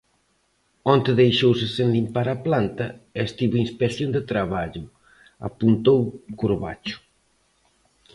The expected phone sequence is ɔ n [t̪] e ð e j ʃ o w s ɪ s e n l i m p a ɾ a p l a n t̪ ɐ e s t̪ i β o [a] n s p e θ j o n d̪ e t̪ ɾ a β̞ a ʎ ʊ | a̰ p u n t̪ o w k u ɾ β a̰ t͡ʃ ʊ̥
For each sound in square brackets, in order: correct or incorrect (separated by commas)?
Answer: correct, incorrect